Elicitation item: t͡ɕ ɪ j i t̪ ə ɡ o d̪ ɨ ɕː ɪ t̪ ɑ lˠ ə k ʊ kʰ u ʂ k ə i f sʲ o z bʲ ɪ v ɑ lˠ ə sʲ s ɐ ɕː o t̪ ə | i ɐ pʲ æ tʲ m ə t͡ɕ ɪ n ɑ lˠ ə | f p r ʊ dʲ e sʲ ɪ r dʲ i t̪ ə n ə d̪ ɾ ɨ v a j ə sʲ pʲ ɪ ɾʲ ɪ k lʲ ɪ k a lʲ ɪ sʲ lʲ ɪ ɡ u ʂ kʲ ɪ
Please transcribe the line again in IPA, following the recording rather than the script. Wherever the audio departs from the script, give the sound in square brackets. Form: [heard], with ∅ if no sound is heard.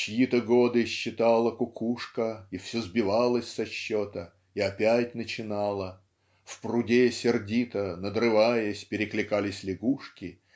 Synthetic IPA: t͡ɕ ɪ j i t̪ ə ɡ o d̪ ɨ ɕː ɪ t̪ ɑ lˠ ə k ʊ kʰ u ʂ k ə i f sʲ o z bʲ ɪ v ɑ lˠ ə sʲ s ɐ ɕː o t̪ ə | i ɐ pʲ æ tʲ [n] ə t͡ɕ ɪ n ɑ lˠ ə | f p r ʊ dʲ e sʲ ɪ r dʲ i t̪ ə n ə d̪ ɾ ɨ v a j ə sʲ pʲ ɪ ɾʲ ɪ k lʲ ɪ k a lʲ ɪ sʲ lʲ ɪ ɡ u ʂ kʲ ɪ